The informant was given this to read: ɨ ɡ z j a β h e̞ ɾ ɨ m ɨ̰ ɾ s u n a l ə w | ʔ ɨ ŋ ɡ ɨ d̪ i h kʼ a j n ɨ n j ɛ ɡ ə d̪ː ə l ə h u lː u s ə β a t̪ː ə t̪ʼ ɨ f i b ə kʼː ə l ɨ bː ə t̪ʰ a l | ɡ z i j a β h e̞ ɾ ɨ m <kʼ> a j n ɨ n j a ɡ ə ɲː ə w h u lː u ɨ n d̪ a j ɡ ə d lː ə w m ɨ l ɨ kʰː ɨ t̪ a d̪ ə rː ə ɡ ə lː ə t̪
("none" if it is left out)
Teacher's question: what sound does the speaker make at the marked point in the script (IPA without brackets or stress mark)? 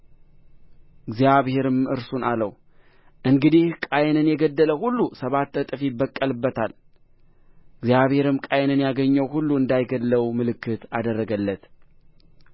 kʼ